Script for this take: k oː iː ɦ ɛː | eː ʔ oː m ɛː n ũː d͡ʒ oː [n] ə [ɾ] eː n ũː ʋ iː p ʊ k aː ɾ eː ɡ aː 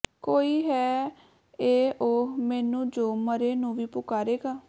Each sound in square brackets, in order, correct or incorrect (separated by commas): incorrect, correct